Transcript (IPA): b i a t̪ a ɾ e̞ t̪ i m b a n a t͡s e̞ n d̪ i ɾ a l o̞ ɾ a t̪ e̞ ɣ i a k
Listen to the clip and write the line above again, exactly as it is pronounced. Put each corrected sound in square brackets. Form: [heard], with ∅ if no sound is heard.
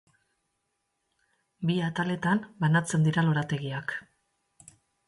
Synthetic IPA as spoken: b i a t̪ a [l] e̞ t̪ [a] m b a n a t͡s e̞ n d̪ i ɾ a l o̞ ɾ a t̪ e̞ ɣ i a k